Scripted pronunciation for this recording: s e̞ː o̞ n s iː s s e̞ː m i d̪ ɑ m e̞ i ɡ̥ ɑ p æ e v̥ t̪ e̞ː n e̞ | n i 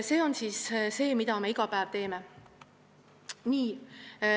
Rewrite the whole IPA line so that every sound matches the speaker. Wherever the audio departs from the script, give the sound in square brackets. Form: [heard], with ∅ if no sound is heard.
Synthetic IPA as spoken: s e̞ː o̞ n s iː s s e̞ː m i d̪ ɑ m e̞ i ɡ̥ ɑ p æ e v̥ t̪ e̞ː [m] e̞ | n [iː]